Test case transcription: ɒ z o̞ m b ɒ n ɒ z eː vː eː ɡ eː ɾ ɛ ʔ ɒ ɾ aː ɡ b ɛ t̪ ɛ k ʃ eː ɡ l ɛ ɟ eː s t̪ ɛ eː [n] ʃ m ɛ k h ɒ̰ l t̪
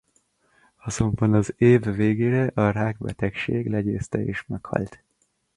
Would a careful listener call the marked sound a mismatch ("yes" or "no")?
yes